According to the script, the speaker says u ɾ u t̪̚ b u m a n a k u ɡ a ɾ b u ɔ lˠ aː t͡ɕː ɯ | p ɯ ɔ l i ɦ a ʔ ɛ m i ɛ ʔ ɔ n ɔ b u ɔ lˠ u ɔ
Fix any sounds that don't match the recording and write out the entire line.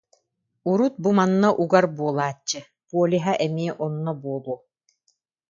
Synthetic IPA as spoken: u ɾ u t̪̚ b u m a nː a ʔ u ɡ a ɾ b u ɔ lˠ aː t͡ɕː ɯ | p u ɔ l i ɦ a ʔ ɛ m i ɛ ʔ ɔ nː ɔ b u ɔ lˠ u ɔ